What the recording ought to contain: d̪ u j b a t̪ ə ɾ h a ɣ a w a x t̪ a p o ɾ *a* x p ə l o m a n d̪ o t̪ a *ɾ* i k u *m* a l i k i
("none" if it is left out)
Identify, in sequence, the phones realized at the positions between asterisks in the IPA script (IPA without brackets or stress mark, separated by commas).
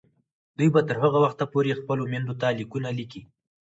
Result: e, l, n